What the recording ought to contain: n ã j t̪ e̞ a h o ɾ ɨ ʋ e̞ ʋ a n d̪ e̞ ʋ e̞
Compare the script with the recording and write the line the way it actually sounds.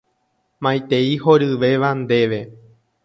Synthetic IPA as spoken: m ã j t̪ e̞ i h o ɾ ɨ ʋ e̞ ʋ a n d̪ e̞ ʋ e̞